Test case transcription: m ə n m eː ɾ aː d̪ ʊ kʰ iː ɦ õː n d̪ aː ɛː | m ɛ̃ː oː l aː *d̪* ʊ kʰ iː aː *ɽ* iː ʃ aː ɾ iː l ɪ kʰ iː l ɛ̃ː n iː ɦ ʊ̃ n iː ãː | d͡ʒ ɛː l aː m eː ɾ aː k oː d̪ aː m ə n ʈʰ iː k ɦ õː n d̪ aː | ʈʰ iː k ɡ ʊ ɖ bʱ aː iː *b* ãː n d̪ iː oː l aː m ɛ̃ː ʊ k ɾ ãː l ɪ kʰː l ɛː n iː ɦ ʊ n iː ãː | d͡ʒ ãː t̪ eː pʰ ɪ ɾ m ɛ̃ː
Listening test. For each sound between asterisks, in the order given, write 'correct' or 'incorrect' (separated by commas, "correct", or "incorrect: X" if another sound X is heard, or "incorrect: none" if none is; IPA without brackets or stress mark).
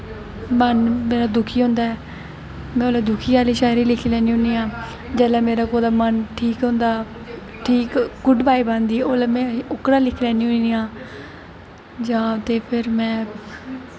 correct, incorrect: l, correct